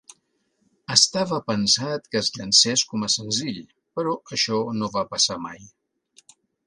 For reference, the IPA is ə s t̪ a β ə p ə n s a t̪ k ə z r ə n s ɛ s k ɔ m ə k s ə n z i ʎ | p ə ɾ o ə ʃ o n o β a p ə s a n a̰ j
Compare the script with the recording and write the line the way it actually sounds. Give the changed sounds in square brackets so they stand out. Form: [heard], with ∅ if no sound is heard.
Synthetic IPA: ə s t̪ a β ə p ə n s a t̪ k ə z [ʎ] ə n s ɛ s k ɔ m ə [∅] s ə n z i ʎ | p ə ɾ [ɔ] ə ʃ [ɔ] n o β a p ə s a [m] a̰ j